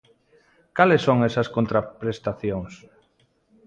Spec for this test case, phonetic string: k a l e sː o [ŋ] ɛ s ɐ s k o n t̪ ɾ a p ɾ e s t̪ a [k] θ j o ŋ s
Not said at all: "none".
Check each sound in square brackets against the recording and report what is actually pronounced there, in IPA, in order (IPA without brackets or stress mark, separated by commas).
ŋ, none